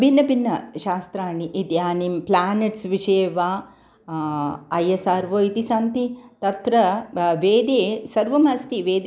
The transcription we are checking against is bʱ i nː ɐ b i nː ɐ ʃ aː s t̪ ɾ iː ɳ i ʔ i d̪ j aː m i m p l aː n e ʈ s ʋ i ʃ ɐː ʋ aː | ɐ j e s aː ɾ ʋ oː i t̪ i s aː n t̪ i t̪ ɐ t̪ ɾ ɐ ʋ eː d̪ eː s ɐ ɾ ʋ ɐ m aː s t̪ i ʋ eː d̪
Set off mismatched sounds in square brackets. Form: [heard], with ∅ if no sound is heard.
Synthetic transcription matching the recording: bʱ i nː ɐ b i nː ɐ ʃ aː s t̪ ɾ [aː] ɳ i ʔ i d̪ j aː [n] i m p l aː n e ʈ s ʋ i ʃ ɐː ʋ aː | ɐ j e s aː ɾ ʋ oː i t̪ i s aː n t̪ i t̪ ɐ t̪ ɾ ɐ ʋ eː d̪ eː s ɐ ɾ ʋ ɐ m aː s t̪ i ʋ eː d̪